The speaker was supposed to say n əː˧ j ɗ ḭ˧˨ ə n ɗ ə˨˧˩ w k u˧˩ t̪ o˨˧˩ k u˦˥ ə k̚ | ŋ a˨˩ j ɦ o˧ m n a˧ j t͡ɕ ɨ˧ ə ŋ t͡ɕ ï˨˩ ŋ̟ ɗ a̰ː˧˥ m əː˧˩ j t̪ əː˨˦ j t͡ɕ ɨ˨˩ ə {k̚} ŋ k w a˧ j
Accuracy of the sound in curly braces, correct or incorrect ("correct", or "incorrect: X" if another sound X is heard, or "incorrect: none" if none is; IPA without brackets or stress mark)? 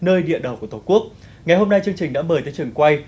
incorrect: none